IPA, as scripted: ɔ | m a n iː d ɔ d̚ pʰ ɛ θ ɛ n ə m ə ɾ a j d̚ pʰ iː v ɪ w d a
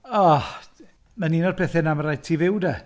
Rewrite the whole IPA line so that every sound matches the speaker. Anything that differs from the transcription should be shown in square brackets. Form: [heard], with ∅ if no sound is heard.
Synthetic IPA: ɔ | m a n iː [n] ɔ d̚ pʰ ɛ θ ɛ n [a] m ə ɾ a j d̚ [tʰ] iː v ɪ w d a